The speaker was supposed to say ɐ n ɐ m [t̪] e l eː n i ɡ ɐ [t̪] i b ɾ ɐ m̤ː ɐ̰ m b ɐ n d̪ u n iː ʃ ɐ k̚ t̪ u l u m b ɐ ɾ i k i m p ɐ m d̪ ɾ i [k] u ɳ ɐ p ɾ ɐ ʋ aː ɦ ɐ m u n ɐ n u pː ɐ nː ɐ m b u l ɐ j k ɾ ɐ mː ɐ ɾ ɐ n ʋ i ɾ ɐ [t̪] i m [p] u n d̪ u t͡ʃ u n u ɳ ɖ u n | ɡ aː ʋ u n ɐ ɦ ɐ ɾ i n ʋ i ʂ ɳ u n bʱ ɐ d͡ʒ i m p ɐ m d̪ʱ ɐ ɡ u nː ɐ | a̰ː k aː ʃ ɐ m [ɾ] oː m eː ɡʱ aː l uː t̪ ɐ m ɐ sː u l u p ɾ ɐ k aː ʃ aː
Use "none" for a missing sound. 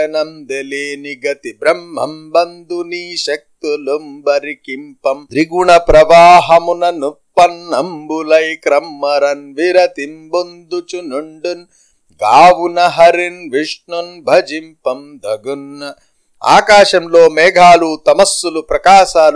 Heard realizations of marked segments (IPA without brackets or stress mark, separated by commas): d̪, t̪, ɡ, t̪, b, l